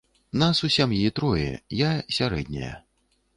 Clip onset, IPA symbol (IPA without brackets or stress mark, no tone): n